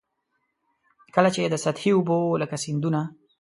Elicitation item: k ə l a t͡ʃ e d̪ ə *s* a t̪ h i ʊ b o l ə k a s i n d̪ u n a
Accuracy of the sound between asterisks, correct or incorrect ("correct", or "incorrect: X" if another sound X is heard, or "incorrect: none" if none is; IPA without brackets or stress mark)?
correct